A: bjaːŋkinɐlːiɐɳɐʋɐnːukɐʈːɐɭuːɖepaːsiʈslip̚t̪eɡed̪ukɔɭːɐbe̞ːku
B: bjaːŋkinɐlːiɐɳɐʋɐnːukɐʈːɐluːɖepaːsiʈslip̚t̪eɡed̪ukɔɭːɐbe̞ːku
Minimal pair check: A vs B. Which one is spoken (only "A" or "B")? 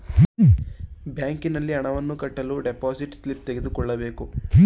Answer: B